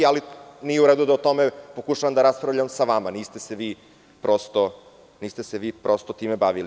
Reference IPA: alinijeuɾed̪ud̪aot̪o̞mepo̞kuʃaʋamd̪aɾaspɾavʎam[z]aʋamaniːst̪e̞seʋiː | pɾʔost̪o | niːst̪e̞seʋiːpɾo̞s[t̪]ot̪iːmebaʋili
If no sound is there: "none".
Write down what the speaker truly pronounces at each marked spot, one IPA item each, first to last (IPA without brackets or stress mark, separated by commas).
s, t̪